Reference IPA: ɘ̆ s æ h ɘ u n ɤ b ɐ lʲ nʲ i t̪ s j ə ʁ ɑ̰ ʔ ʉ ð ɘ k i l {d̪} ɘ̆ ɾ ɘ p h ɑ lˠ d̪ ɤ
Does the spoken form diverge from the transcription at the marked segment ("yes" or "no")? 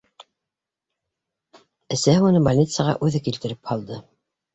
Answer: yes